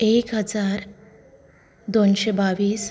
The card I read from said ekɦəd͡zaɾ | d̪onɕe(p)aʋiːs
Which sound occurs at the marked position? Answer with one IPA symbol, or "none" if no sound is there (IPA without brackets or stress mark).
b